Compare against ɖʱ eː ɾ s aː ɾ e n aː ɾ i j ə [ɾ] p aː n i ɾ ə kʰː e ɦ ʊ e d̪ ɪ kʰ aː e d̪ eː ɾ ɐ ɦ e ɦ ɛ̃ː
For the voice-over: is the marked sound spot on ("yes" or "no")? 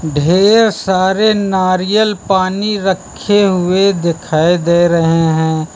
no